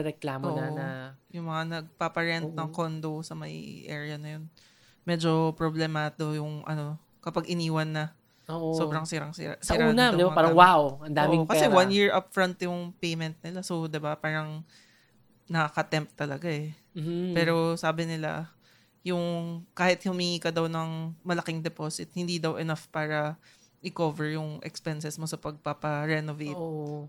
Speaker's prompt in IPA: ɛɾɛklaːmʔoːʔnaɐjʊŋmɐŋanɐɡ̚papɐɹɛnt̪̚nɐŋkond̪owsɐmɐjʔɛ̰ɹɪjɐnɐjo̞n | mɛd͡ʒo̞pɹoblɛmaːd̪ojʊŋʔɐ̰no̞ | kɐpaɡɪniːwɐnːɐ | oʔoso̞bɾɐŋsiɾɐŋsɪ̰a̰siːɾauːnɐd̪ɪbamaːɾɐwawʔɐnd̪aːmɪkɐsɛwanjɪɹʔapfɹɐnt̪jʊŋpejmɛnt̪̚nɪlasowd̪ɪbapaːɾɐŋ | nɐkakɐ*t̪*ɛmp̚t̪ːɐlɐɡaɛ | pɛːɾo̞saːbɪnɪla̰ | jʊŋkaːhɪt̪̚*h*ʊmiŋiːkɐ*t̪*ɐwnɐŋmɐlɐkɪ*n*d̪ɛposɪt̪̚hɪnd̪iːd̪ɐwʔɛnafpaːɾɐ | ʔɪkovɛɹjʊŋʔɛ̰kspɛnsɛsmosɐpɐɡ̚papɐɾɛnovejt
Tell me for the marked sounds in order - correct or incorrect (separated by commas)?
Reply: correct, correct, incorrect, incorrect